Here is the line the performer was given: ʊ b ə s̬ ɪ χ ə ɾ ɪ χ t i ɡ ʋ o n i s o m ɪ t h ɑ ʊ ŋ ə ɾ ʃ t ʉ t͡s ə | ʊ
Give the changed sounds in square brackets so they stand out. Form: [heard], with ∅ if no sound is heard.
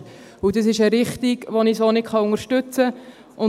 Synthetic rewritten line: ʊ [d] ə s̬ ɪ [ʃ] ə ɾ ɪ χ t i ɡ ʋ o n i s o [n] ɪ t [χ] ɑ ʊ ŋ ə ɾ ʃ t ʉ t͡s ə | ʊ